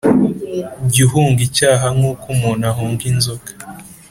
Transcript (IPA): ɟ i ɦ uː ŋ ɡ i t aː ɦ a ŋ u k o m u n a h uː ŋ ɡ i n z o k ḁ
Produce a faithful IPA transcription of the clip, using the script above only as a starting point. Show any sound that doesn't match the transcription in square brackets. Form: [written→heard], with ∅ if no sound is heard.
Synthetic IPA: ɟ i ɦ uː ŋ ɡ i [t→c] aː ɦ a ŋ u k [o→u] m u n a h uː ŋ ɡ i n z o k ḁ